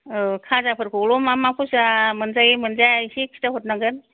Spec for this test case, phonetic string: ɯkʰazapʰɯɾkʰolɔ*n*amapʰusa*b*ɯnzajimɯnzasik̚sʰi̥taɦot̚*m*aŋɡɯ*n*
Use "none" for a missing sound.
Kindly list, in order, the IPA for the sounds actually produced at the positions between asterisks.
m, m, n, n

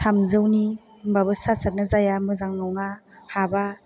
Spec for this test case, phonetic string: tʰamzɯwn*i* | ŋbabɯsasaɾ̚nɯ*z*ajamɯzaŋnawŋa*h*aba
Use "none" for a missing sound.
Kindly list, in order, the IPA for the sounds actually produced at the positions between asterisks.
i, z, h

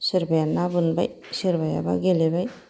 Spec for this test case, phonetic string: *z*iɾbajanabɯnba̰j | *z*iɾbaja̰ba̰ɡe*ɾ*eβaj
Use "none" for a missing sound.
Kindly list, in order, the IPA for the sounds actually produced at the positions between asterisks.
s, s, l

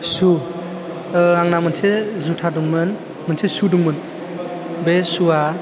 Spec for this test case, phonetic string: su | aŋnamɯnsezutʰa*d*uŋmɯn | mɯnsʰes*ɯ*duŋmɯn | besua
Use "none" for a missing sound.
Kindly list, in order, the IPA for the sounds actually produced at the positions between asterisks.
d, u

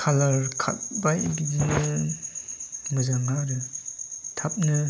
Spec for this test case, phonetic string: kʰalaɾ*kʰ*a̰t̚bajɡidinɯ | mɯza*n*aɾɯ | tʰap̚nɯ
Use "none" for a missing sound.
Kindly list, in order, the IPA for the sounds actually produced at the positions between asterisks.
kʰ, ŋ

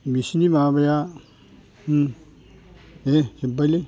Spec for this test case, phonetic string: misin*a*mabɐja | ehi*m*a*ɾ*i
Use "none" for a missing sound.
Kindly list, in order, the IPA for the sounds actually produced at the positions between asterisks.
i, b, l

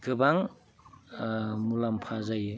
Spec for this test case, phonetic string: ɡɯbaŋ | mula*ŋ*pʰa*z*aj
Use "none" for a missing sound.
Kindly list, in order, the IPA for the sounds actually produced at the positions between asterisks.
m, z

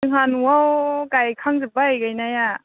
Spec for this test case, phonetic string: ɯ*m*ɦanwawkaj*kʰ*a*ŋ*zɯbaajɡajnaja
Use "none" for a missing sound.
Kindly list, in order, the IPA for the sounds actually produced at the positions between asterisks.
ŋ, kʰ, ŋ

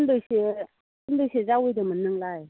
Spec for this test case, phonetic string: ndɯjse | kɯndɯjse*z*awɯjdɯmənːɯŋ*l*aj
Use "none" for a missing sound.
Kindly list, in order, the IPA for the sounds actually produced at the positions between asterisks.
z, l

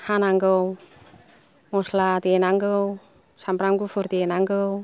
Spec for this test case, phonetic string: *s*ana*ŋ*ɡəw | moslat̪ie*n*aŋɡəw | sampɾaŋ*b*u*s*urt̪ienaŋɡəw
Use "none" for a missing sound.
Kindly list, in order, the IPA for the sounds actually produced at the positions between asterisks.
h, ŋ, n, ɡ, f

